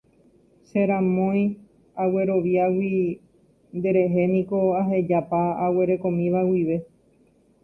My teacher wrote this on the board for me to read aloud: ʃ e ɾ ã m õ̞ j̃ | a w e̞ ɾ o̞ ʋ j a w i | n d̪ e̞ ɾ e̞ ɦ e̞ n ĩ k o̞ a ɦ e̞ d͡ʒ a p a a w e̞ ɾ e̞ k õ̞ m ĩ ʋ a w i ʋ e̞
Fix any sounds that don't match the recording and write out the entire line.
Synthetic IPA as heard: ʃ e ɾ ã m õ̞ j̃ | a w e̞ ɾ o̞ ʋ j a w i | n d̪ e̞ ɾ e̞ ɦ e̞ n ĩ k o̞ a ɦ e̞ d͡ʒ a p a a w e̞ ɾ e̞ k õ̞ m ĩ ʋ a w i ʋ e̞